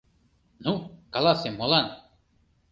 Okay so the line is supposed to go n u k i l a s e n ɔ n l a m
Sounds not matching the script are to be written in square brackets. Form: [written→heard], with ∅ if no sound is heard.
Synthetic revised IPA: n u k [i→a] l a s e [n→m] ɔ [n→∅] l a [m→n]